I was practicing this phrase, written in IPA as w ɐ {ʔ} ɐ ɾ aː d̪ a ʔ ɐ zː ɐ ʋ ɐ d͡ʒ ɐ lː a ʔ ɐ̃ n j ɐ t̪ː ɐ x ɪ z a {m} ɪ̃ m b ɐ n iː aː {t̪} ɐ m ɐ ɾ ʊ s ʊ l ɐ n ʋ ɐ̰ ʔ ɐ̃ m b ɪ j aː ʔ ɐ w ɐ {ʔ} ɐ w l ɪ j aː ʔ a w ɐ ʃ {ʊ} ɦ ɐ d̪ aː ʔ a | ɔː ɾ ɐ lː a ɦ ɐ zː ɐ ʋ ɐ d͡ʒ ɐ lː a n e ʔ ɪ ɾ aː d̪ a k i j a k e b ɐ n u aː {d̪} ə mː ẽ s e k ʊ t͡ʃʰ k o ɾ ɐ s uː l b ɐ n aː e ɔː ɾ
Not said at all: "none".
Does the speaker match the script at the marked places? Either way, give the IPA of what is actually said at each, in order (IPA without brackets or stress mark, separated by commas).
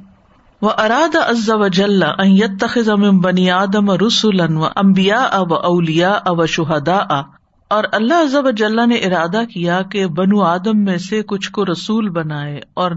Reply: ʔ, m, d̪, ʔ, ʊ, d̪